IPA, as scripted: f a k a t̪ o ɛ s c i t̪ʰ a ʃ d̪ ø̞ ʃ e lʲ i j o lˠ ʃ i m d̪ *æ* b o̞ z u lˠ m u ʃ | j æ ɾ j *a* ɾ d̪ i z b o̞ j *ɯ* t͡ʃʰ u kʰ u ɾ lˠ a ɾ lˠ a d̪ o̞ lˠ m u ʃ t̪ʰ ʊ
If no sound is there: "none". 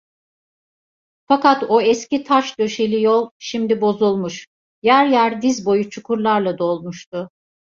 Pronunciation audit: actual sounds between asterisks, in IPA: i, æ, u

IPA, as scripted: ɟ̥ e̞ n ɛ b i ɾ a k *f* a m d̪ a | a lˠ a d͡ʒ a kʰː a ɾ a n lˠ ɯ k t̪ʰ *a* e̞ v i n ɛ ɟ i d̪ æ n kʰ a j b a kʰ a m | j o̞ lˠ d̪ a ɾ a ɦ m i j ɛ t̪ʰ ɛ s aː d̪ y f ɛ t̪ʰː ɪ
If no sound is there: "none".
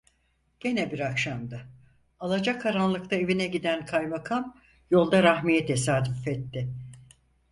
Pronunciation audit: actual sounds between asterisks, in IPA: ʃ, a

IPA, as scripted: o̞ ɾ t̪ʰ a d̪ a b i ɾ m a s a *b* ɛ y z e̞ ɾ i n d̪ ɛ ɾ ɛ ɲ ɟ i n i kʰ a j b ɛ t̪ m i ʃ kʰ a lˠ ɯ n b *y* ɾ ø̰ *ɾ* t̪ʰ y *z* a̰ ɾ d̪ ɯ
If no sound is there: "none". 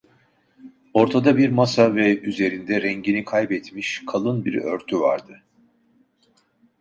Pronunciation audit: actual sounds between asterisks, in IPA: v, i, ɾ, v

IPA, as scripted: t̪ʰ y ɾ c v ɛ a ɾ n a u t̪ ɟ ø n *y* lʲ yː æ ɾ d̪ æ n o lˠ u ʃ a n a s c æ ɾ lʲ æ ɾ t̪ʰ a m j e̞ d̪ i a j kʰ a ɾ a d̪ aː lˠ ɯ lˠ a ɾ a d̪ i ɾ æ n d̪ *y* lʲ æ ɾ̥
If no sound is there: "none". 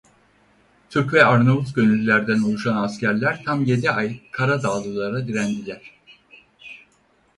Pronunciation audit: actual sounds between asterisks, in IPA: y, i

